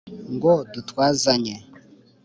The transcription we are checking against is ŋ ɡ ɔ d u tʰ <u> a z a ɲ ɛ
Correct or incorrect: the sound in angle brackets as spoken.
incorrect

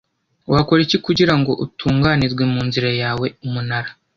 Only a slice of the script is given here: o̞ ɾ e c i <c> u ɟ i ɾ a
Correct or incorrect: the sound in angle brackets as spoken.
incorrect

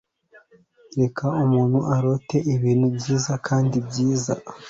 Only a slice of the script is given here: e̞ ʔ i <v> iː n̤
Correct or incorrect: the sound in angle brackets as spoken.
incorrect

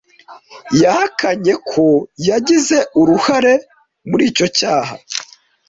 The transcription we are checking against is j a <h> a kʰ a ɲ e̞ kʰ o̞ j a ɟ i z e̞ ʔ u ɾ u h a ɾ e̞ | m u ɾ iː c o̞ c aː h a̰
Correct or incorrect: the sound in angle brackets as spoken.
correct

